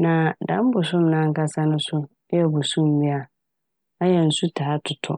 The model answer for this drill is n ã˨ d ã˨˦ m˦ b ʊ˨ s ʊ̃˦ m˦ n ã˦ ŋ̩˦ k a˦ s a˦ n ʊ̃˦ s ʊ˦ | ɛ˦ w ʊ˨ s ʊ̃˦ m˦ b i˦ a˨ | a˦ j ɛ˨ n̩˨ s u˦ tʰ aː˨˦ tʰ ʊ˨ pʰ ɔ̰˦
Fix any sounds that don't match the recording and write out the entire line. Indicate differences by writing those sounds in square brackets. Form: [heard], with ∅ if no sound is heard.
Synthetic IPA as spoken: n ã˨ d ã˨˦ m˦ b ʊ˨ s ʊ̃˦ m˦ n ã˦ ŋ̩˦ k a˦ s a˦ n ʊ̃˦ s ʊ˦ | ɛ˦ [b] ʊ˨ s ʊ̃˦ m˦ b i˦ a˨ | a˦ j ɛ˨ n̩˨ s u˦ tʰ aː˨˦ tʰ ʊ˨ [tʰ] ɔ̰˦